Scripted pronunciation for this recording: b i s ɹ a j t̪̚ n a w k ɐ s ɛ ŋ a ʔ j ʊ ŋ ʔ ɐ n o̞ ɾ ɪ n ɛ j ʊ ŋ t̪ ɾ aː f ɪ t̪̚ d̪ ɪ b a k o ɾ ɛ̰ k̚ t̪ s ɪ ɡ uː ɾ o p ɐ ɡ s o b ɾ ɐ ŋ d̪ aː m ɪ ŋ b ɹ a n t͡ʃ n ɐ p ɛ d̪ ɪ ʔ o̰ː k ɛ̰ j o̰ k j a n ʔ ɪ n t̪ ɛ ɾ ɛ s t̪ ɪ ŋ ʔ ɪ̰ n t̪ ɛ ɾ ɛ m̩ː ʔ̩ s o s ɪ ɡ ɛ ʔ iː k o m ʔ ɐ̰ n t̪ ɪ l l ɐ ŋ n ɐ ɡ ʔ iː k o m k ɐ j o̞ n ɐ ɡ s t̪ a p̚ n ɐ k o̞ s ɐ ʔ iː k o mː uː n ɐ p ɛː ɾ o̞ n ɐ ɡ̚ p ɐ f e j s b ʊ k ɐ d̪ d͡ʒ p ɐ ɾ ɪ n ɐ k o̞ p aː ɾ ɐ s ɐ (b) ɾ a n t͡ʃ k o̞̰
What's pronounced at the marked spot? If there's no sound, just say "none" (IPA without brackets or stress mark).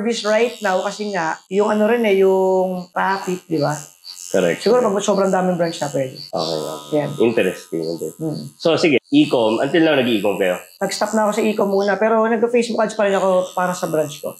b